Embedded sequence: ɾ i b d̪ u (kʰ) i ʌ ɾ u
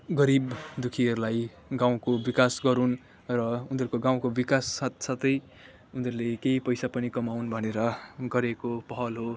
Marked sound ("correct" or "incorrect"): correct